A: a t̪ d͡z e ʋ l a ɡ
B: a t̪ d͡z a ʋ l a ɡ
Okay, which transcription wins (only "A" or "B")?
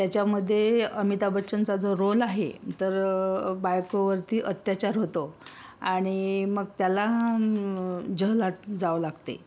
B